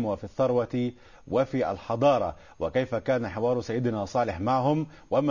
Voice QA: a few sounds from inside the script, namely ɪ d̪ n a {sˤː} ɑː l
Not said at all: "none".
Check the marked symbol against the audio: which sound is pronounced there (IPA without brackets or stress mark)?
sˤ